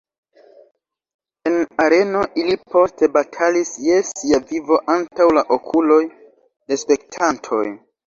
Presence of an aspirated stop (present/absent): present